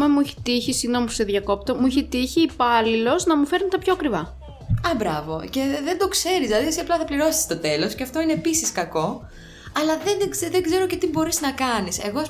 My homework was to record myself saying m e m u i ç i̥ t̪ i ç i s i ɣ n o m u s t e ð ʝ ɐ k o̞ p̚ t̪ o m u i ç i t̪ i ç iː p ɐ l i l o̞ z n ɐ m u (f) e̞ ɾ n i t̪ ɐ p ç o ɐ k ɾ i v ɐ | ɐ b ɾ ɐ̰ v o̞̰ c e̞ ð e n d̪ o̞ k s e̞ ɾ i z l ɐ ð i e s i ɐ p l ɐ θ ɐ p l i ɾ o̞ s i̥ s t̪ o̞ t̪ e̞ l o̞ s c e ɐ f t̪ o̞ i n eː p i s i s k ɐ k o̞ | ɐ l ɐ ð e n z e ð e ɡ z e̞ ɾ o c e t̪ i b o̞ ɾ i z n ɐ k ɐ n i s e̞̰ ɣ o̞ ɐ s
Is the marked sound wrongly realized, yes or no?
no